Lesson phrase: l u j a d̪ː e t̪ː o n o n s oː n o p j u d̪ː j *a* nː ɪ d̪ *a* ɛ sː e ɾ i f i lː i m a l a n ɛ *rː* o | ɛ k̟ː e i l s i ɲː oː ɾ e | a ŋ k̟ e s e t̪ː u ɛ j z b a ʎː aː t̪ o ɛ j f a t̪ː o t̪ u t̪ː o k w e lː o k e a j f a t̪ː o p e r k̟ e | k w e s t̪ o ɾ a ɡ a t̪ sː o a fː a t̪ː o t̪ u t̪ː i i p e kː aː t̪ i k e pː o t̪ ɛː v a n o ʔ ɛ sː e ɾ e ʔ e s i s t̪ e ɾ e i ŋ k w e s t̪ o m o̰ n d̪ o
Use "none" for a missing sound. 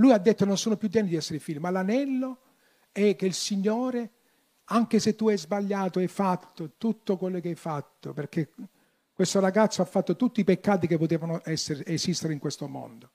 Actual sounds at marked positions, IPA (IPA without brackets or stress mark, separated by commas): ɛ, i, lː